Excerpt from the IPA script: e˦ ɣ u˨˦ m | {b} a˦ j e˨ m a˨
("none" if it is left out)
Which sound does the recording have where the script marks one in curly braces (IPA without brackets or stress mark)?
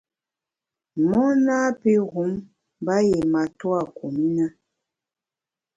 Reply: b